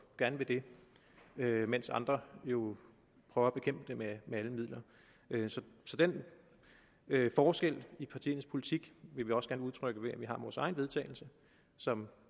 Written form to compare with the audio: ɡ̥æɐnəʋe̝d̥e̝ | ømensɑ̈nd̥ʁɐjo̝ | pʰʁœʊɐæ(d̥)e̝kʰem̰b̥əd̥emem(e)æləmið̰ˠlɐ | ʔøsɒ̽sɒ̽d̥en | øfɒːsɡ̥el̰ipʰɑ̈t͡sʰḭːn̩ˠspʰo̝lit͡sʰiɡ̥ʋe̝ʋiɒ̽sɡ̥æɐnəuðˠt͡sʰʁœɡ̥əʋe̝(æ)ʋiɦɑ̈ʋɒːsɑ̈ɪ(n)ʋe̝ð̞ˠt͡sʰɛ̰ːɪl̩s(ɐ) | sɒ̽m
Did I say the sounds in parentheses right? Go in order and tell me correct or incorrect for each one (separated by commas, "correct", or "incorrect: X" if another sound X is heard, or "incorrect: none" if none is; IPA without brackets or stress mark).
incorrect: b̥, correct, correct, correct, incorrect: ə